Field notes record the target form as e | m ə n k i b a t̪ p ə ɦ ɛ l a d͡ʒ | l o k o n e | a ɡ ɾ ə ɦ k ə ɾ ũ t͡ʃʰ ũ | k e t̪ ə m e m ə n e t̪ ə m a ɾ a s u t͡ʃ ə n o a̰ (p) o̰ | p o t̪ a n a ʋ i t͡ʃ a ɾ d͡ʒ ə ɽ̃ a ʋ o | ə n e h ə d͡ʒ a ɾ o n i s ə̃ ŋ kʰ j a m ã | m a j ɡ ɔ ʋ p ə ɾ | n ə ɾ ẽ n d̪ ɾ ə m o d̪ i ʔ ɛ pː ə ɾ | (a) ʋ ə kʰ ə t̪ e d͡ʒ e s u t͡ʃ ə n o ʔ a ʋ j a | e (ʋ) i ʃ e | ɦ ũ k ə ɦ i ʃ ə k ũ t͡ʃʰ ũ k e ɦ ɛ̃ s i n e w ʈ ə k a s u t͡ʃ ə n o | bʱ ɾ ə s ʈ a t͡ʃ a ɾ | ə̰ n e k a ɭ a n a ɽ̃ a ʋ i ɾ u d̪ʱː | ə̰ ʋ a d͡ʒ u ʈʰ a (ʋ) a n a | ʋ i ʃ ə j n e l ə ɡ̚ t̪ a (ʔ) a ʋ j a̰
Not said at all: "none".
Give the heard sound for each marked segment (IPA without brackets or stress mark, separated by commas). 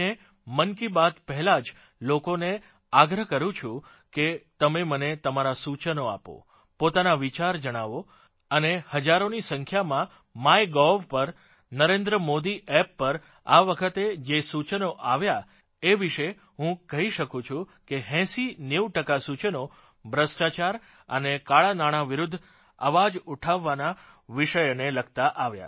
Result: p, a, ʋ, ʋː, ʔ